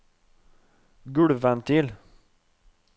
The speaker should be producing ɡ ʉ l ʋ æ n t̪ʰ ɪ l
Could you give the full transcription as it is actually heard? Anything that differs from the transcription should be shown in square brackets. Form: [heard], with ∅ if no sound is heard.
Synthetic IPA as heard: ɡ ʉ [ɽ] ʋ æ n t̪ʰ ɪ l